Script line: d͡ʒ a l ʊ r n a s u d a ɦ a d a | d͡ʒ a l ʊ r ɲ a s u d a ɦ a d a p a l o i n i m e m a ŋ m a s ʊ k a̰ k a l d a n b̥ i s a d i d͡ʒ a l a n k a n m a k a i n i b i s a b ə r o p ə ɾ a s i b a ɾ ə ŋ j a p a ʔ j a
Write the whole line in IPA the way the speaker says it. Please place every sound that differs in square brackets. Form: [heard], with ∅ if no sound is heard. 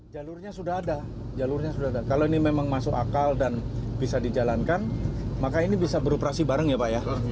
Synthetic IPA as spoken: d͡ʒ a l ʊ r [ɲ] a s u d a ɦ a d a | d͡ʒ a l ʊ r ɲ a s u d a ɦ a d a [k] a l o i n i m e m a ŋ m a s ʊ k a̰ k a l d a n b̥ i s a d i d͡ʒ a l a n k a n m a k a i n i b i s a b ə [ɾ] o p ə ɾ a s i b a ɾ ə ŋ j a p a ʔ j a